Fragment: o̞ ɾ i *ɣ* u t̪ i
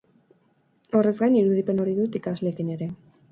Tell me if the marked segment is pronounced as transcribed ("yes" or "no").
no